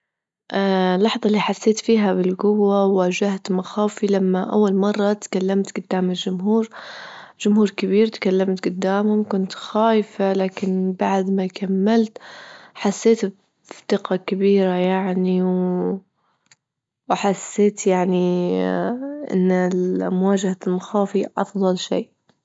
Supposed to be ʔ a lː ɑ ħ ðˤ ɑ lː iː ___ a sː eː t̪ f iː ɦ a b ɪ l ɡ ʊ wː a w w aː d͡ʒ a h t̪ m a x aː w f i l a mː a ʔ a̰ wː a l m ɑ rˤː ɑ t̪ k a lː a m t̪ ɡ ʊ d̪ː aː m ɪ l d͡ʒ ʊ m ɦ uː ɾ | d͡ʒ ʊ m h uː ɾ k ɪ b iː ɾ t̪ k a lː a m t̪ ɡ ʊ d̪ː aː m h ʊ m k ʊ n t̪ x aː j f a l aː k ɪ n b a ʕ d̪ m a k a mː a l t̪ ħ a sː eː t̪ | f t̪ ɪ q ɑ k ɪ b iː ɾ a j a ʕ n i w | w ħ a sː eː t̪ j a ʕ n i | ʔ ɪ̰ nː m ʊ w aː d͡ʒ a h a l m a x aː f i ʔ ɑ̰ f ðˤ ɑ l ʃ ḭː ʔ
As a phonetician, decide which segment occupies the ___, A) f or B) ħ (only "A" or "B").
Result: B